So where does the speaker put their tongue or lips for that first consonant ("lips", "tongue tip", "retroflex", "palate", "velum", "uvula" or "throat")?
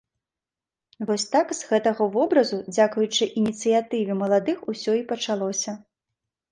lips